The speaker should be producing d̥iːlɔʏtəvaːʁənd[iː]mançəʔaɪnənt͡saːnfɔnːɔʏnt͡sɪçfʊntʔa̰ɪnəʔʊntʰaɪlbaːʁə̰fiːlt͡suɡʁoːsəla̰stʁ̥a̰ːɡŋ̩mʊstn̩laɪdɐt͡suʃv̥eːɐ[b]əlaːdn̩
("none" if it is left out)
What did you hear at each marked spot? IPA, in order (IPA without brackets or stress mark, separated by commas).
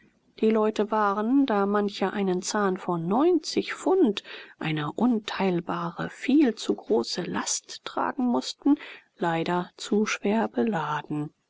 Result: aː, b